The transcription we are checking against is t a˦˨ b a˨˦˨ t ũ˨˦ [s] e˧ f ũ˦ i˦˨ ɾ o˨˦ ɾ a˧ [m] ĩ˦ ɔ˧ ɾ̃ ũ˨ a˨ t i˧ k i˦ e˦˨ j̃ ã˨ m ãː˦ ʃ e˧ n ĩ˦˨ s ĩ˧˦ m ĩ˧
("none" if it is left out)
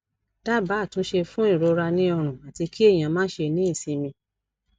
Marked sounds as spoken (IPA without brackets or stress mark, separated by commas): ʃ, n